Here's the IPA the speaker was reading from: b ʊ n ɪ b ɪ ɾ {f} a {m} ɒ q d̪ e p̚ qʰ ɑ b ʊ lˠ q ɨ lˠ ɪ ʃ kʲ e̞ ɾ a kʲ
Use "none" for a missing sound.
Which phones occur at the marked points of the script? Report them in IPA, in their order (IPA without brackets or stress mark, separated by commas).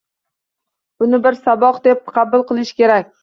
s, b